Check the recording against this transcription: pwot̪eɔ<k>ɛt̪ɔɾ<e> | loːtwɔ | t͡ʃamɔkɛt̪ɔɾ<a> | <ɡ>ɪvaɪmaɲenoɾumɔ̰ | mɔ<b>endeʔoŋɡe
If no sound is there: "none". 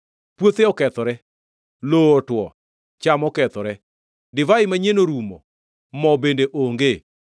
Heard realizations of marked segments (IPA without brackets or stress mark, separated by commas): k, ɛ, ɛ, d, b